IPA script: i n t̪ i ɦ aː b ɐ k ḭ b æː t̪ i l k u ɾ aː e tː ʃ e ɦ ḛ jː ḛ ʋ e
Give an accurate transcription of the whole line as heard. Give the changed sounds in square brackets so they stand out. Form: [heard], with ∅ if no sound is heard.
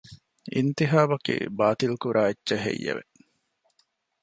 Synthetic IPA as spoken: i n t̪ i ɦ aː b ɐ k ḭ b [aː] t̪ i l k u ɾ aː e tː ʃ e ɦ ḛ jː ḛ ʋ e

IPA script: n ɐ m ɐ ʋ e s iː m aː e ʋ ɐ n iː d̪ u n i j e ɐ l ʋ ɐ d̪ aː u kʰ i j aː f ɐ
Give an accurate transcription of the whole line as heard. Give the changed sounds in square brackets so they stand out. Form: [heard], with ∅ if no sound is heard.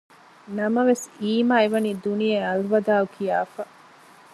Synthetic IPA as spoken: n ɐ m ɐ ʋ e s iː m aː e ʋ ɐ n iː d̪ u n i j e ɐ l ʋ ɐ d̪ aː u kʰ i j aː f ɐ

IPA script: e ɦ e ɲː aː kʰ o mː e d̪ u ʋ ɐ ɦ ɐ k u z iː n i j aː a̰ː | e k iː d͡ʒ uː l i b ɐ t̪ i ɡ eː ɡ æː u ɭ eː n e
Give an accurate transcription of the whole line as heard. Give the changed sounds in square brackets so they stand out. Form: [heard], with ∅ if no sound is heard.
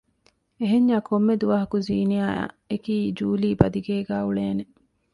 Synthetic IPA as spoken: e ɦ e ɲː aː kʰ o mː e d̪ u ʋ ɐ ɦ ɐ k u z iː n i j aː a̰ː | e k iː d͡ʒ uː l [iː] b ɐ [d̪] i ɡ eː ɡ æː u ɭ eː n e

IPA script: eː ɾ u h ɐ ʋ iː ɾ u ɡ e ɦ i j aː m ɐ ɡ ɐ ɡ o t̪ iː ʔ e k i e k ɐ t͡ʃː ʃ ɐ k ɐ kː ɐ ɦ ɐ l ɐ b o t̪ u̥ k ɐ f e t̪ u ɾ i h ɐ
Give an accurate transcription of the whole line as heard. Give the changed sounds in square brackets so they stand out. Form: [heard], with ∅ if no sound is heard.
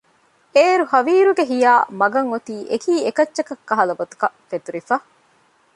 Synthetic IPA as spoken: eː ɾ u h ɐ ʋ iː ɾ u ɡ e ɦ i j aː m ɐ ɡ ɐ [ŋ] o t̪ iː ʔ e k [iː] e k ɐ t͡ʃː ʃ ɐ k ɐ kː ɐ ɦ ɐ l ɐ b o t̪ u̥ k ɐ f e t̪ u ɾ i [f] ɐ

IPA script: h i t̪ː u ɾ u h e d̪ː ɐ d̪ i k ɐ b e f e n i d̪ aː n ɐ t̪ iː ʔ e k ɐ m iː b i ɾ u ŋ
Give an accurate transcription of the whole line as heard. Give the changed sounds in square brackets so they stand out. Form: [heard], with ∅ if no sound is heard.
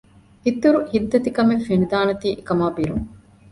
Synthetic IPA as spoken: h i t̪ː u ɾ u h [i] d̪ː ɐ [t̪] i k ɐ [m] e f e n i d̪ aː n ɐ t̪ iː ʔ e k ɐ m [aː] b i ɾ u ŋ

